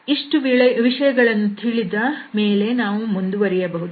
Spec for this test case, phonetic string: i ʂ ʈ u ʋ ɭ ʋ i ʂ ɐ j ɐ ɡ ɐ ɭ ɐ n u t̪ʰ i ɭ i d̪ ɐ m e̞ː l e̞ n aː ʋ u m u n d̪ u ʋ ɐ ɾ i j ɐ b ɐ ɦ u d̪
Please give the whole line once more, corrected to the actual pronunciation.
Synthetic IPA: i ʂ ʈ u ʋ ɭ ʋ i ʂ ɐ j ɐ ɡ ɐ ɭ ɐ nː u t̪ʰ i ɭ i d̪ ɐ m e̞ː l e̞ n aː ʋ u m u n d̪ u ʋ ɐ ɾ i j ɐ b ɐ ɦ u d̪